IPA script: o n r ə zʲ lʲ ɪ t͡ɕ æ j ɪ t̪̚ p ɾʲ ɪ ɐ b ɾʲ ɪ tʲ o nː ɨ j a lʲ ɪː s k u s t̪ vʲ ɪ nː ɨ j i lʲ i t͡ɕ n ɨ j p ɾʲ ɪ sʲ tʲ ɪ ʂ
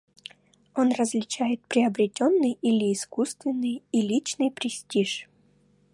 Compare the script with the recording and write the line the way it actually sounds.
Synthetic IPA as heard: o n r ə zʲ lʲ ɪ t͡ɕ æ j ɪ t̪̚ p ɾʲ ɪ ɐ b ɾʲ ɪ tʲ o nː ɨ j i lʲ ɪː s k u s t̪ vʲ ɪ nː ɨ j i lʲ i t͡ɕ n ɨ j p ɾʲ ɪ sʲ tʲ i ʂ